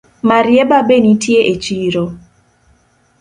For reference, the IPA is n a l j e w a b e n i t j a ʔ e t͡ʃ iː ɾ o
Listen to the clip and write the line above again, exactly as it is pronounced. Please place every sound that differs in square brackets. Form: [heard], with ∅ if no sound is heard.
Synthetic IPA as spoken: [m] a [ɾ] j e [b] a b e n i t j [e] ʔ e t͡ʃ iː ɾ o